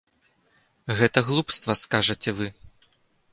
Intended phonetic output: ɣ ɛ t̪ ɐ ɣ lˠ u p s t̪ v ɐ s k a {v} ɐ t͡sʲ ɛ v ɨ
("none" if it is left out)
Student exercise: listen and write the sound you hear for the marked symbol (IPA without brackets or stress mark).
ʐ